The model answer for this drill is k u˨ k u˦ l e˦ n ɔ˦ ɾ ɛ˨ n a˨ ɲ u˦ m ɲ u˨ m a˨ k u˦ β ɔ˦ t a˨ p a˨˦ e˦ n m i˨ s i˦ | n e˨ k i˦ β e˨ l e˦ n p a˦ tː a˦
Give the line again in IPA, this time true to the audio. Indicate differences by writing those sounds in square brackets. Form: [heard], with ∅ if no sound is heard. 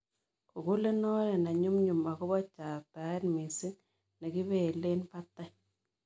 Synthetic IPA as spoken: k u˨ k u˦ l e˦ n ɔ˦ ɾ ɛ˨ n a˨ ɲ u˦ m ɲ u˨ m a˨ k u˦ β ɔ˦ [t͡ʃ] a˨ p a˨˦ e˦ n m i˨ s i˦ | n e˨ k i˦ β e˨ l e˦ n p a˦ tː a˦

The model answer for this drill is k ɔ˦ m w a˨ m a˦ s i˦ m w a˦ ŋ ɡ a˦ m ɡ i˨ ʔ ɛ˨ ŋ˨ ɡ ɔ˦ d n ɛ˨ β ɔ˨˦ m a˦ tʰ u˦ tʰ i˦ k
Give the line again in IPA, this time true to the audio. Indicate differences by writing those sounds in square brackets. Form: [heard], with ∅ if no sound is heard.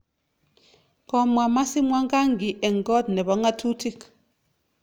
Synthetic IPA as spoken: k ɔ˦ m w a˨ m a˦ s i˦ m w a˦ ŋ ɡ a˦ [ŋ] ɡ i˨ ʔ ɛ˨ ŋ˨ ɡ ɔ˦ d n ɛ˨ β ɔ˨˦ [ŋ] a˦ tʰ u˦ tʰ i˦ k

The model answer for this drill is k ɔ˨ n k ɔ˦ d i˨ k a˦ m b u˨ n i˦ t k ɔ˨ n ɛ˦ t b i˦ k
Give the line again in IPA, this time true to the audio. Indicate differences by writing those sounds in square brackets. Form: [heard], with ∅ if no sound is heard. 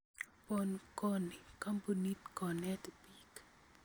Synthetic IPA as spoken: [p] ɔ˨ n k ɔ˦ [n] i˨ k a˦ m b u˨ n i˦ t k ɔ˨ n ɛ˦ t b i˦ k

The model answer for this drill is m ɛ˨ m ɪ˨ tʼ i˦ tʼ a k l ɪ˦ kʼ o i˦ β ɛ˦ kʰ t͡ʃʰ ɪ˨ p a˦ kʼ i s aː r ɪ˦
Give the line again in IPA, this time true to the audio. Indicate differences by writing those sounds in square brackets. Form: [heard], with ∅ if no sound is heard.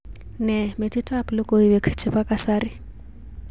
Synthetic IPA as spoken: [n] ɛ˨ m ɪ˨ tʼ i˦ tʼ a [p] l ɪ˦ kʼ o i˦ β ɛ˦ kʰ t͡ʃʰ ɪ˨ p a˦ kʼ [a] s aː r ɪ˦

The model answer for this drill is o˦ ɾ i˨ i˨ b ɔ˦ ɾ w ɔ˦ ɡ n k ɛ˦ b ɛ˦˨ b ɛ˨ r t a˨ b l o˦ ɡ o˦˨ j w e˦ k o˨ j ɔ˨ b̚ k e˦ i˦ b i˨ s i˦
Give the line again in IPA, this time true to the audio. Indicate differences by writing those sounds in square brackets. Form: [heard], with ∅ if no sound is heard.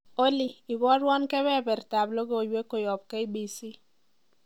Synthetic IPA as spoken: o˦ [l] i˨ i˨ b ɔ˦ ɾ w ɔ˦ [∅] n k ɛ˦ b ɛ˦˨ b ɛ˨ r t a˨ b l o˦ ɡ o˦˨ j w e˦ k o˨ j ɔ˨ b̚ k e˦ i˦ b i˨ s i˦

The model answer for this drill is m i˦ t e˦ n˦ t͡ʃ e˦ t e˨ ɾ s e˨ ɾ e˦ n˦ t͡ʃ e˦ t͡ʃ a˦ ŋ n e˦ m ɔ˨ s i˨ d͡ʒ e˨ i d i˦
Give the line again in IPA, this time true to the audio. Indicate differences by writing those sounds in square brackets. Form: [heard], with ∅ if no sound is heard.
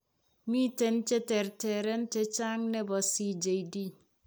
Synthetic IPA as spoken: m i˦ t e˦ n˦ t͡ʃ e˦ t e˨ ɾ [t] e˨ ɾ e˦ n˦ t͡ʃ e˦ t͡ʃ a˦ ŋ n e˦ [b] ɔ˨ s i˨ d͡ʒ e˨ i d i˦

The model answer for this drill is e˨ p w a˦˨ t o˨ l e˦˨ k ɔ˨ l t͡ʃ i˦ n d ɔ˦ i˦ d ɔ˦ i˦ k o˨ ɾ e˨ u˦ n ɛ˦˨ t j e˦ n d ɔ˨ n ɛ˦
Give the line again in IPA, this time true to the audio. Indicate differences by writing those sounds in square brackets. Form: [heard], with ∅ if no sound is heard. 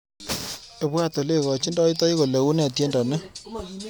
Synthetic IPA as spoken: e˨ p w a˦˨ t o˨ l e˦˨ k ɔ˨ [∅] t͡ʃ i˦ n d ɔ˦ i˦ [t] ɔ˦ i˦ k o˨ [l] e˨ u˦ n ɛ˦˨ t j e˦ n d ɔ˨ n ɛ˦

